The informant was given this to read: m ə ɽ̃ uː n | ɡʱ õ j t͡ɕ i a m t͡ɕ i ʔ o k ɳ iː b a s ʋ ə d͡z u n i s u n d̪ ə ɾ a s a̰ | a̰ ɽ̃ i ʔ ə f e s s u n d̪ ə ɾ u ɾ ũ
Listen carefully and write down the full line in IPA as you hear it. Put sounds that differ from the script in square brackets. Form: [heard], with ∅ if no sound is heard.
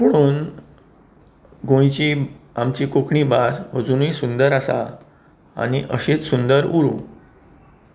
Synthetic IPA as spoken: m ə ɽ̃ uː n | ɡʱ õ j t͡ɕ i a m t͡ɕ i [k] o k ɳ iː b a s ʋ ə d͡z u n i s u n d̪ ə ɾ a s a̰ | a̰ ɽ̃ i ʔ ə [ɕ] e [t͡s] s u n d̪ ə ɾ u ɾ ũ